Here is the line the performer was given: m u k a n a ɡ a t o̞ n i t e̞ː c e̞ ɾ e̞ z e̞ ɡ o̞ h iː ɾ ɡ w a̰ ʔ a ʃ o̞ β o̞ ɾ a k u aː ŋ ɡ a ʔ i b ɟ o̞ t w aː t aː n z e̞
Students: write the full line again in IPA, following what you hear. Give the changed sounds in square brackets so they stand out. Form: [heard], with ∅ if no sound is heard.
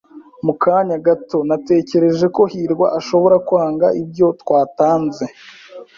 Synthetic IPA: m u k a [ɲ] a ɡ a t o̞ n [a] t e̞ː c e̞ ɾ e̞ [ʒ] e̞ [k] o̞ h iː ɾ ɡ w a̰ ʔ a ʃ o̞ β o̞ ɾ a k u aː ŋ ɡ a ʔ i b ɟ o̞ t w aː t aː n z e̞